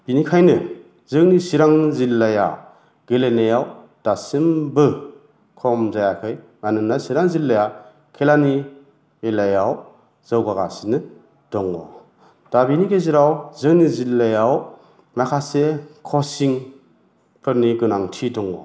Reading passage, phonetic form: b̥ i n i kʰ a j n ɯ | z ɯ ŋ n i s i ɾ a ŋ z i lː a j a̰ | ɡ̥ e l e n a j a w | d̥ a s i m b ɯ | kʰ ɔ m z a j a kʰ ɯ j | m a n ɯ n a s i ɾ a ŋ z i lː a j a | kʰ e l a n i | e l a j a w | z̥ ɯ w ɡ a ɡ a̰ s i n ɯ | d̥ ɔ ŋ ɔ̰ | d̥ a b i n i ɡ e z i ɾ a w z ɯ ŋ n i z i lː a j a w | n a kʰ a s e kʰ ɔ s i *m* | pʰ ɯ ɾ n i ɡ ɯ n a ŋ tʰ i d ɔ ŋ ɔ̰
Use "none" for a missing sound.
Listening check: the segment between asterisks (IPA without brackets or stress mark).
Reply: ŋ